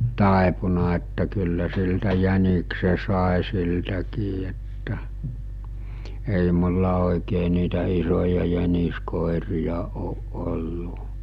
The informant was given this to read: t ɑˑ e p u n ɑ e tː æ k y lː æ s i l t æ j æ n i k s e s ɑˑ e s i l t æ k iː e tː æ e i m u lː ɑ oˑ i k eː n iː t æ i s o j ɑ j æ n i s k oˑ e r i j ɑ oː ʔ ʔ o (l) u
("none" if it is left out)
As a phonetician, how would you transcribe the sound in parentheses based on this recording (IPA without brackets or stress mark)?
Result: lː